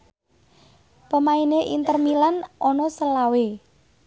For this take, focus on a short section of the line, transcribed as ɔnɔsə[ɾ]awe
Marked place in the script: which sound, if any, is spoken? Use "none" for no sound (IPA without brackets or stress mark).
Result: l